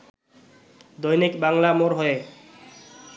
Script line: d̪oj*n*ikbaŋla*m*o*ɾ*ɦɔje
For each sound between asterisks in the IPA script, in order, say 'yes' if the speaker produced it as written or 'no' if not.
yes, yes, yes

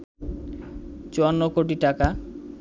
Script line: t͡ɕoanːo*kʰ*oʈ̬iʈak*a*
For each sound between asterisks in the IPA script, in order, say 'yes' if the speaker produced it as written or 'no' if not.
no, yes

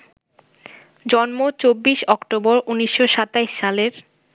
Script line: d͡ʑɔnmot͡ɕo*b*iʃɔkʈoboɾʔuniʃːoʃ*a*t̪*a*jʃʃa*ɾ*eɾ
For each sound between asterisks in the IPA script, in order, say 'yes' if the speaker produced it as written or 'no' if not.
no, yes, yes, no

